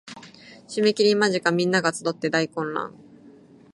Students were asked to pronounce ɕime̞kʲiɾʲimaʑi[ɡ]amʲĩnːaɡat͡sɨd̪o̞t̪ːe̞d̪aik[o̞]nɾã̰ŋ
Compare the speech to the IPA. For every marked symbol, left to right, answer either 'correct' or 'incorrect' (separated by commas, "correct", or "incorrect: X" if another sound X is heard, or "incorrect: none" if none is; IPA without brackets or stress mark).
incorrect: k, incorrect: õ̞